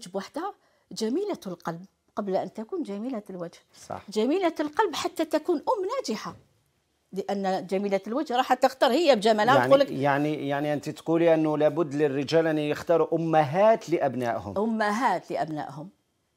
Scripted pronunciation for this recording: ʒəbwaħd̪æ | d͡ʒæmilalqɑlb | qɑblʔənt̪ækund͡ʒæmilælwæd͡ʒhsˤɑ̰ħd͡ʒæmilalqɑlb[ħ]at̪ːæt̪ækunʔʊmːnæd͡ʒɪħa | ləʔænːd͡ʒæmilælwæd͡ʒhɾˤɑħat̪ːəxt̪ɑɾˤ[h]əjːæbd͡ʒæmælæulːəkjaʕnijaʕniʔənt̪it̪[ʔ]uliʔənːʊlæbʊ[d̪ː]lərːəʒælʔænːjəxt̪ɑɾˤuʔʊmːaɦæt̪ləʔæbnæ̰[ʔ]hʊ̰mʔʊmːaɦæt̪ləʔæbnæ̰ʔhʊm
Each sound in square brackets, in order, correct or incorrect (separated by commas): correct, correct, incorrect, correct, correct